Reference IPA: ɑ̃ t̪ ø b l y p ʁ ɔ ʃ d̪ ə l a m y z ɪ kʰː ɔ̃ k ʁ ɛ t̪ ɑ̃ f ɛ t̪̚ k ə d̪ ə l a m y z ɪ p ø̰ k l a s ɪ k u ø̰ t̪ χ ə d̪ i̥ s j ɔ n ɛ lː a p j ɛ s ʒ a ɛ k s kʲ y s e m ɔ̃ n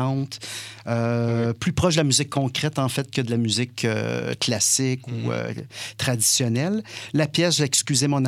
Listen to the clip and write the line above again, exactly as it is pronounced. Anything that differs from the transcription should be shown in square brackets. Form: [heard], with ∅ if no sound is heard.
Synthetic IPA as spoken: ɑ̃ t̪ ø [p] l y p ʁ ɔ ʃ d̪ ə l a m y z ɪ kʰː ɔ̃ k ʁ ɛ t̪ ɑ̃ f ɛ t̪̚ k ə d̪ ə l a m y z ɪ [k] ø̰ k l a s ɪ k u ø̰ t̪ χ [a] d̪ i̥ s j ɔ n ɛ lː a p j ɛ s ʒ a ɛ k s kʲ y [z] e m ɔ̃ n